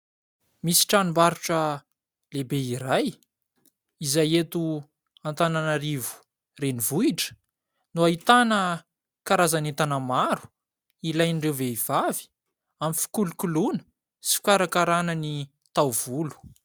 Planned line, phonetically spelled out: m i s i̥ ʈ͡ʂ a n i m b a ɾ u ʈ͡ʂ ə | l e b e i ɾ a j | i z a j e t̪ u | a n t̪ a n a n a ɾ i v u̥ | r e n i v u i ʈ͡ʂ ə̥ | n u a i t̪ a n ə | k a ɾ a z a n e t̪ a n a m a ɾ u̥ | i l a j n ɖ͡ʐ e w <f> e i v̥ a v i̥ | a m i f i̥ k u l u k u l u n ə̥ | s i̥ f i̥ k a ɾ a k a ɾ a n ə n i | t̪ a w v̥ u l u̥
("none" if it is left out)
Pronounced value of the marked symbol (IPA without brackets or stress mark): v